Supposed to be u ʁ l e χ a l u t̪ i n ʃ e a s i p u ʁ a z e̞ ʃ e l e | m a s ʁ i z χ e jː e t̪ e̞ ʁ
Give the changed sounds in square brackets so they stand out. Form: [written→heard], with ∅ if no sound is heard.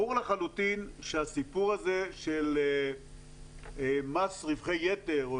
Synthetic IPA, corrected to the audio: u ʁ l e χ a l u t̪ i n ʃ e a s i p u ʁ a z e̞ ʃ e l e | m a s ʁ i [z→v] χ e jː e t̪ e̞ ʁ